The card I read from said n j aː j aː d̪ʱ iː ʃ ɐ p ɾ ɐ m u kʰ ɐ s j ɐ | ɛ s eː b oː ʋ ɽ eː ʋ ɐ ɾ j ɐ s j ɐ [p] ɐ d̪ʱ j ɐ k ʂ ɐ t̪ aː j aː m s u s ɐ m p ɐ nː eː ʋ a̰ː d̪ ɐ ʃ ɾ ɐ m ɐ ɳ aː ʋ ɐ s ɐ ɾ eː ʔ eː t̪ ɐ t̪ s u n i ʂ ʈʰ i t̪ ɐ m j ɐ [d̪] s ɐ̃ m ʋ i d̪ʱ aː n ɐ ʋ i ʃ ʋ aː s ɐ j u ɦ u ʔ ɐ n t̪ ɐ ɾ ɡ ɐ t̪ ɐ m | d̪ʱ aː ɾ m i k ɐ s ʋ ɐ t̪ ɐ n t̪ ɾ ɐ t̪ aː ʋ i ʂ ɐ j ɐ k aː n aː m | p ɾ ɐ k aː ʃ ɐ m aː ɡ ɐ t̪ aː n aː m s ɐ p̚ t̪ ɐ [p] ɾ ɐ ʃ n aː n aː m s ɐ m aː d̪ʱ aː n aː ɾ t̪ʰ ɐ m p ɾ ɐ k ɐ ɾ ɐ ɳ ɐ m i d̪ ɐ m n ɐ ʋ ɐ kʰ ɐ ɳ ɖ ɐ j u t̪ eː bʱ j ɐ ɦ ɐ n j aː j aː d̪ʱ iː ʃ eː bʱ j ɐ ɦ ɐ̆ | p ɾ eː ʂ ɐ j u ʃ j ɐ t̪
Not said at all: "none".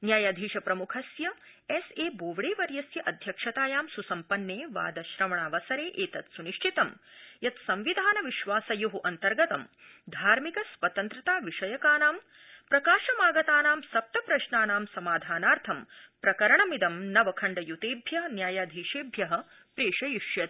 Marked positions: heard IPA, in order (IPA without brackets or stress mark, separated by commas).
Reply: ʔ, t̪, p